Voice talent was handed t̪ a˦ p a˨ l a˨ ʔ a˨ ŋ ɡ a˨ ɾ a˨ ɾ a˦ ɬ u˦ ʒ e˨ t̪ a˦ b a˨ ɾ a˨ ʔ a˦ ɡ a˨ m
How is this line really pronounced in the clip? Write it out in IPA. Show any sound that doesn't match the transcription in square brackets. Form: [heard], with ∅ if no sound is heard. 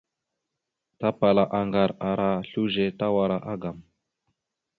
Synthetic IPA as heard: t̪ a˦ p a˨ l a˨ ʔ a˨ ŋ ɡ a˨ ɾ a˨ ɾ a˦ ɬ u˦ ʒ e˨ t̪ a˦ [w] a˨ ɾ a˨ ʔ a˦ ɡ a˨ m